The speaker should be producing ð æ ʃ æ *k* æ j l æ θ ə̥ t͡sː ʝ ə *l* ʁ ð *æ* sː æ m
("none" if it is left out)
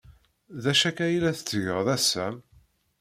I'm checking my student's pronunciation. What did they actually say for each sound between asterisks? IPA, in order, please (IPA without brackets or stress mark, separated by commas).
k, none, æ